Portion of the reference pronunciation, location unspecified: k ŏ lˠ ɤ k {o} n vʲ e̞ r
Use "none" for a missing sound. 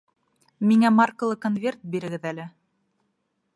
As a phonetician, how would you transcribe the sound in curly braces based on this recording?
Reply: o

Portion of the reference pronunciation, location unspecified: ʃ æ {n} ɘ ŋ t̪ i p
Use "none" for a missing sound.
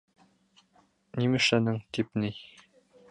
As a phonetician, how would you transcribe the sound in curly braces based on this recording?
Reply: n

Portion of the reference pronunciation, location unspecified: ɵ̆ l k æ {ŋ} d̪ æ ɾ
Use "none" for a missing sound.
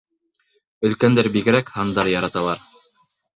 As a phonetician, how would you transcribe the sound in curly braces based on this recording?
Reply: n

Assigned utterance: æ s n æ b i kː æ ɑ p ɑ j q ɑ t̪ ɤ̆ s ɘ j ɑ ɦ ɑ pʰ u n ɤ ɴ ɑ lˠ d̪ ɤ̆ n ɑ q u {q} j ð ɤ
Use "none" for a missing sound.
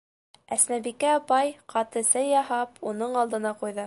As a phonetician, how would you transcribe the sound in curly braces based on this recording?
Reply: none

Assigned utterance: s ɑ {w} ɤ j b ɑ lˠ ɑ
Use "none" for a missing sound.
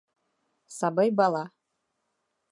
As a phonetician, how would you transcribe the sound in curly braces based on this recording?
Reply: b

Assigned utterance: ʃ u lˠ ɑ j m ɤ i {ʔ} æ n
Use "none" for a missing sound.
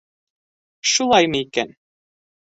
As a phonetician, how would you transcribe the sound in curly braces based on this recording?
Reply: k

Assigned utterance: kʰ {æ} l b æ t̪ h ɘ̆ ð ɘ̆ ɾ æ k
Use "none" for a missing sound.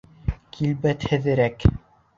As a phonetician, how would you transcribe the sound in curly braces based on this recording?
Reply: i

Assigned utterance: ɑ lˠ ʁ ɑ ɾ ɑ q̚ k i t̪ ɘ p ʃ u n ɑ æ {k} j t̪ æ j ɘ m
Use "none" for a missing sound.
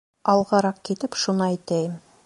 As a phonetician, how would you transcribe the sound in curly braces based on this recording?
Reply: none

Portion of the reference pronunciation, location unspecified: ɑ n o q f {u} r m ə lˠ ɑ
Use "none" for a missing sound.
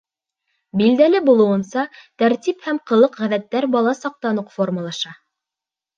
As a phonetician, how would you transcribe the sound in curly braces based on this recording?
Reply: o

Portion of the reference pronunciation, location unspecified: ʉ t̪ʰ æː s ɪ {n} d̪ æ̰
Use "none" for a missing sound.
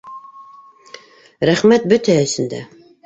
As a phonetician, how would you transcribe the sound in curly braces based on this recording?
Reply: n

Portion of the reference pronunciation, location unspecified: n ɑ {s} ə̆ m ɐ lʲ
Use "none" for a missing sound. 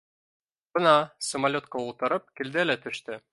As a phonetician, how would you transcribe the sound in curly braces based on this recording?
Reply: s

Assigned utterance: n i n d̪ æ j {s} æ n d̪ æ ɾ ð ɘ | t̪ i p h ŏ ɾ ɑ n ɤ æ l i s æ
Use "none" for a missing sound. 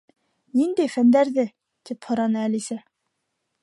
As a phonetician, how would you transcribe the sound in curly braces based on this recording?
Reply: f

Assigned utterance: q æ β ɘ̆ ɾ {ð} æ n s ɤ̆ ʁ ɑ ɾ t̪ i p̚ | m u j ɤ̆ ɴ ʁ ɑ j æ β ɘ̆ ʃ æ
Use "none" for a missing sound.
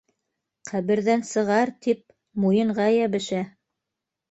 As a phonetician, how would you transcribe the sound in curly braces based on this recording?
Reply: ð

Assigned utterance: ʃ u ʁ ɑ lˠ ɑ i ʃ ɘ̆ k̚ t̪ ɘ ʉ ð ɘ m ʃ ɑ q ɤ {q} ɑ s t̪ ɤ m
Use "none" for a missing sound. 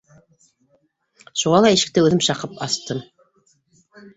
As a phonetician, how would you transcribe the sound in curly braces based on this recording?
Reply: p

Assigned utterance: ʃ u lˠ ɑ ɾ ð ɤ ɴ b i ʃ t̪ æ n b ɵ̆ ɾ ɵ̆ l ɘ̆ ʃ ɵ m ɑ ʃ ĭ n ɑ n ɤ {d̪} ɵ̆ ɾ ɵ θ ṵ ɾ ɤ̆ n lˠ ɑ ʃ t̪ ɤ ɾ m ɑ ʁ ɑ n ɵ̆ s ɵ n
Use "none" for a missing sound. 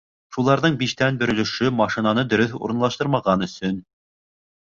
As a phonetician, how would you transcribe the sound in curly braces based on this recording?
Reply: d̪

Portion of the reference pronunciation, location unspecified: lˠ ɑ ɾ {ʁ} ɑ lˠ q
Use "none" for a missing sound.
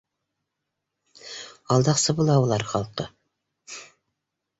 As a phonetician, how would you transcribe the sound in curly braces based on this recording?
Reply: χ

